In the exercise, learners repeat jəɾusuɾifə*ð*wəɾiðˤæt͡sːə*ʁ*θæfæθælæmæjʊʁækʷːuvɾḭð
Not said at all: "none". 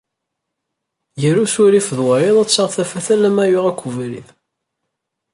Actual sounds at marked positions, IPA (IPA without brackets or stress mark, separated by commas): ð, ʁ